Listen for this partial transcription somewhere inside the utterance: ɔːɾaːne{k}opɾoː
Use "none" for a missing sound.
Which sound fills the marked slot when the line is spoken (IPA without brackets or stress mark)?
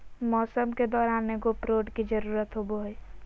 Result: ɡ